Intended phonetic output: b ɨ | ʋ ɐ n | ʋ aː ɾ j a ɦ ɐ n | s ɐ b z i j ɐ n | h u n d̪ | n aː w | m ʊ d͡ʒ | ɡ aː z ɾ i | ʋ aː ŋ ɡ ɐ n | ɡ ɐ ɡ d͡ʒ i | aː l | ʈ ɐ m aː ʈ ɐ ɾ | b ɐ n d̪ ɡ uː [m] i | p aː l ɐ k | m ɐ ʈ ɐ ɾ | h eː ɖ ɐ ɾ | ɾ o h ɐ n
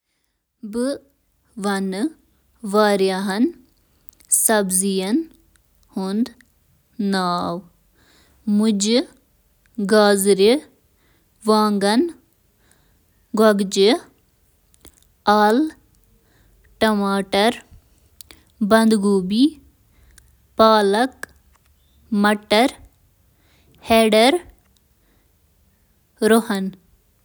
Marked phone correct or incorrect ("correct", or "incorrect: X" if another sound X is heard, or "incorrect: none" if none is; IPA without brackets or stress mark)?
incorrect: b